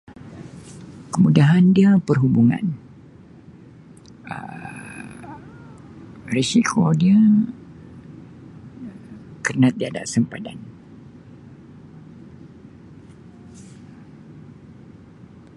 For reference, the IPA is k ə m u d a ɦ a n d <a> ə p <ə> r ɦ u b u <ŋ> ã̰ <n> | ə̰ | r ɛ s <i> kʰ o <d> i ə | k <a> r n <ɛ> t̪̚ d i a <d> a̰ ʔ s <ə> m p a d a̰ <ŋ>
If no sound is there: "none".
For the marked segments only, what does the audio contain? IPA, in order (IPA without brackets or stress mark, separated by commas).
i, ə, ŋ, n, i, d, ə, a, d, ə, n